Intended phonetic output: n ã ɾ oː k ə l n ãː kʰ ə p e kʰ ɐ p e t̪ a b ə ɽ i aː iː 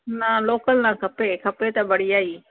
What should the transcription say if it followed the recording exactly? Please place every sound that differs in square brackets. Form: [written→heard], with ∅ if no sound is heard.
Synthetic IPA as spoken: n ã [ɾ→l] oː k ə l n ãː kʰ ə p e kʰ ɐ p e t̪ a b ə ɽ i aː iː